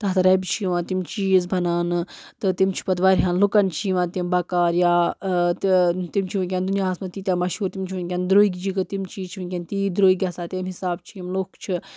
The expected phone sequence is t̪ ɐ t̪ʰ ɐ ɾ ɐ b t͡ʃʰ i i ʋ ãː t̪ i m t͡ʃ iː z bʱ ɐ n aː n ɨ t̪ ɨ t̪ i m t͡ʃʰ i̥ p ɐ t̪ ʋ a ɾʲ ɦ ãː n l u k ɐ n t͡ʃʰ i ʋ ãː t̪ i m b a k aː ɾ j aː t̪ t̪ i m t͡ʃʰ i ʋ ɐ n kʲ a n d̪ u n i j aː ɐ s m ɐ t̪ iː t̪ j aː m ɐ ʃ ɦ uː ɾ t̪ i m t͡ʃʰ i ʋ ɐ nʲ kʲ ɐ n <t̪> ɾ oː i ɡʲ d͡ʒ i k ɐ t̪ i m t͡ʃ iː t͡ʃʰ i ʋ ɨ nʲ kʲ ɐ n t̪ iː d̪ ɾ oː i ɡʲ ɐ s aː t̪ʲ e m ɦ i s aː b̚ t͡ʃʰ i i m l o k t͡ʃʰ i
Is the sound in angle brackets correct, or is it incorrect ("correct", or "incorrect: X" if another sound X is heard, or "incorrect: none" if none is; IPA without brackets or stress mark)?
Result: incorrect: d̪